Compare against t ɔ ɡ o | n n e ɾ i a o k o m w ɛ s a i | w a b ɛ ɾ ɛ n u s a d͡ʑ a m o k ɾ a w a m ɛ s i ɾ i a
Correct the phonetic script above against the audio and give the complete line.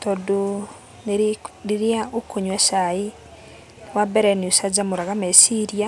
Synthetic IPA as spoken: t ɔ d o | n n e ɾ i a o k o ɲ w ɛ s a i | w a b ɛ ɾ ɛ n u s a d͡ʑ a m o ɾ a ɣ a m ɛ s i ɾ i a